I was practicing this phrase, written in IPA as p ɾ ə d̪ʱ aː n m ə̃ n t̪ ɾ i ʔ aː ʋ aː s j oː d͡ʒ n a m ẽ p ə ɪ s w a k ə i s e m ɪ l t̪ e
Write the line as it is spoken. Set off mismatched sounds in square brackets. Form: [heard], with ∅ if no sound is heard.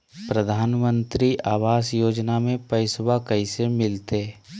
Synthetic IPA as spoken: p ɾ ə d̪ʱ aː n m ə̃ n t̪ ɾ i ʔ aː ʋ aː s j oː d͡ʒ n a m ẽ p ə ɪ s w a k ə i s e m ɪ l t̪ e